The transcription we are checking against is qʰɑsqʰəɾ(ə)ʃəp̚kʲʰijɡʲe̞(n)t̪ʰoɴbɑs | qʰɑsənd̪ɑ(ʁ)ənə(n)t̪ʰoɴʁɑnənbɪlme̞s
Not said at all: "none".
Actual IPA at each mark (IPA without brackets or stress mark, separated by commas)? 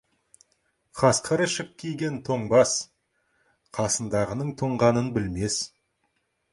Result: ə, n, ʁ, ɴ